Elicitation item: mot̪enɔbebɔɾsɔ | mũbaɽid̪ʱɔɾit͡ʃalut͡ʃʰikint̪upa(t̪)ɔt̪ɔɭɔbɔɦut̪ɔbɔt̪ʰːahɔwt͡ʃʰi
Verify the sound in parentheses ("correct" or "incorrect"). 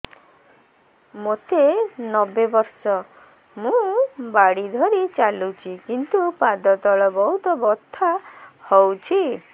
incorrect